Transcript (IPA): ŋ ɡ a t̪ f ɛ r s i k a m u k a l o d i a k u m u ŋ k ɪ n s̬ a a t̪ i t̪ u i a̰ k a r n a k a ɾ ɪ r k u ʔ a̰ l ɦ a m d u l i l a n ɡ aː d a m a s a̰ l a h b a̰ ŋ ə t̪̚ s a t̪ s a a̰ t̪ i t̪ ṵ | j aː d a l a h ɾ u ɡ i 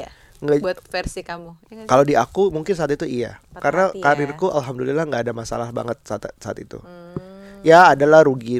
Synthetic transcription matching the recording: ŋ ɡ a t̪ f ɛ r s i k a m u k a l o d i a k u m u ŋ k ɪ n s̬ a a t̪ i t̪ u i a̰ k a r n a k a ɾ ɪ r k u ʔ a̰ l ɦ a m d u l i l a ŋ ɡ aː d a m a s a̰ l a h b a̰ ŋ ə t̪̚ s a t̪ s a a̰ t̪ i t̪ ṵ | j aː d a l a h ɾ u ɡ i